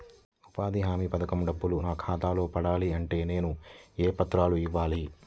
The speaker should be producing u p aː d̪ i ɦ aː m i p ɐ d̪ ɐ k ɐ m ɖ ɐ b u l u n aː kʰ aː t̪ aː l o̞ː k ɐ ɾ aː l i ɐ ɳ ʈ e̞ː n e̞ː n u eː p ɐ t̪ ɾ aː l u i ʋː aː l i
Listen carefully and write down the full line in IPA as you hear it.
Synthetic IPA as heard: u p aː d̪ i ɦ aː m i p ɐ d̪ ɐ k ɐ m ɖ ɐ bː u l u n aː kʰ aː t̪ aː l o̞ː p ɐ ɽ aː l i ɐ ɳ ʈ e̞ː n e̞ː n u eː p ɐ t̪ ɾ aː l u i ʋː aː l i